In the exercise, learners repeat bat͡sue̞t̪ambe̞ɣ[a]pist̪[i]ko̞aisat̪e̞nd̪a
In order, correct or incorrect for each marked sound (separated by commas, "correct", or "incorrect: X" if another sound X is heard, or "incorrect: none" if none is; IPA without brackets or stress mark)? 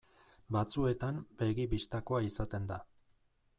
incorrect: i, incorrect: a